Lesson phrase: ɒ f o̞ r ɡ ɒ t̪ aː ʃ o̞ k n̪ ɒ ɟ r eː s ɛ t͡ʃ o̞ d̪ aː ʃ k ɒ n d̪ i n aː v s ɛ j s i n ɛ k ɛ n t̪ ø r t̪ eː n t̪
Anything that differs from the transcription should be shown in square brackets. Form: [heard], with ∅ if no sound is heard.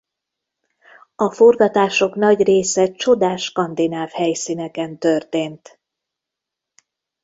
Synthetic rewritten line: ɒ f o̞ r ɡ ɒ t̪ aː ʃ o̞ k n̪ ɒ ɟ r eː s ɛ t͡ʃ o̞ d̪ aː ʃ k ɒ n d̪ i n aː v [h] ɛ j s i n ɛ k ɛ n t̪ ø r t̪ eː n t̪